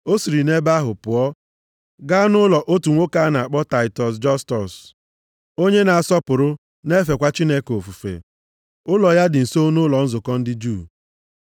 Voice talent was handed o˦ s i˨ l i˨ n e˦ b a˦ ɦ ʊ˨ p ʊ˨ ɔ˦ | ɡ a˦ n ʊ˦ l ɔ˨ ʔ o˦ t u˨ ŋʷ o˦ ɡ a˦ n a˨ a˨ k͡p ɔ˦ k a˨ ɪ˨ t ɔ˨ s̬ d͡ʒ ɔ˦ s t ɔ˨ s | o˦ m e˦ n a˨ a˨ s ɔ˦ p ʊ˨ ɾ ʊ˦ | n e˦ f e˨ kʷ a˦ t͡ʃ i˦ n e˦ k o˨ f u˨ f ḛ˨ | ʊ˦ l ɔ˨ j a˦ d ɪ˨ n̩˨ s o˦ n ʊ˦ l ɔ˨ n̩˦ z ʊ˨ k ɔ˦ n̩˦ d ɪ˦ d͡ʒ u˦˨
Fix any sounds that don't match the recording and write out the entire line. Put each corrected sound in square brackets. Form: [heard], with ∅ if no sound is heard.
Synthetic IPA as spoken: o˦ s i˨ [ɾ] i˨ n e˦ b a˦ ɦ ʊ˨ p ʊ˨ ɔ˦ | ɡ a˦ n ʊ˦ l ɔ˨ ʔ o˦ t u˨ ŋʷ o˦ [k] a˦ n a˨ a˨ k͡p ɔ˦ [t] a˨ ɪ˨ t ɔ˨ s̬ d͡ʒ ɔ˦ s t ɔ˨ s | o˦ [ɲ] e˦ n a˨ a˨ s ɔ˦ p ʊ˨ ɾ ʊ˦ | n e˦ f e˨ kʷ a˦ t͡ʃ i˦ n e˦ k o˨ f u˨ f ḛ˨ | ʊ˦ l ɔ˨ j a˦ d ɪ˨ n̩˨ s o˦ n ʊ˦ l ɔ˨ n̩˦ z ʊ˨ k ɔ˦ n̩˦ d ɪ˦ d͡ʒ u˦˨